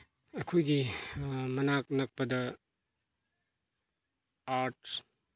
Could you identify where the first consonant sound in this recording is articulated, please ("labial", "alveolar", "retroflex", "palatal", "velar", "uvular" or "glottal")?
velar